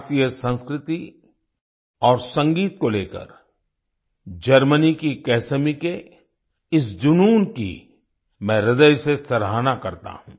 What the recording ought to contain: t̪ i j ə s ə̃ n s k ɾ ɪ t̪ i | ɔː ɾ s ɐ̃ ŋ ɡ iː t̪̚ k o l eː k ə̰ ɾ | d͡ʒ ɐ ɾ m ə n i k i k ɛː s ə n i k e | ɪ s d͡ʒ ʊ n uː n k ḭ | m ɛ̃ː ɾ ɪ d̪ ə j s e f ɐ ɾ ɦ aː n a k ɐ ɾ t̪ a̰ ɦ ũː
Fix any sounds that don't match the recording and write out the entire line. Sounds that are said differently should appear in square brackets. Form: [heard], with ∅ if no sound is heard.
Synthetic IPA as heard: t̪ i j ə s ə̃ n s k ɾ ɪ t̪ i | ɔː ɾ s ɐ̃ ŋ ɡ iː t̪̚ k o l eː k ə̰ ɾ | d͡ʒ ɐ ɾ m ə n i k i k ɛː s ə [m] i k e | ɪ s d͡ʒ ʊ n uː n k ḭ | m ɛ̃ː ɾ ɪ d̪ ə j s e [s] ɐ ɾ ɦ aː n a k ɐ ɾ t̪ a̰ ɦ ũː